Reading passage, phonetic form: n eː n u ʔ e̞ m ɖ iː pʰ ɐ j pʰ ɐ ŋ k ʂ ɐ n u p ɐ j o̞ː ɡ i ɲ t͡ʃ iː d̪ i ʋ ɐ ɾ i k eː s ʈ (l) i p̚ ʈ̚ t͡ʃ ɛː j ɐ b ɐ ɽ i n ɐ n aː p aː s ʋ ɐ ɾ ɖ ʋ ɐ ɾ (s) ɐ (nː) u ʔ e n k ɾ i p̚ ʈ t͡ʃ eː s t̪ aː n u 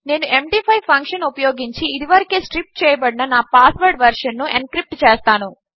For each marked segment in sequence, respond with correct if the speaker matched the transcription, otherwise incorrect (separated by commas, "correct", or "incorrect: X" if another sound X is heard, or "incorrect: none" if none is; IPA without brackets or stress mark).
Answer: incorrect: ɾ, incorrect: ʂ, correct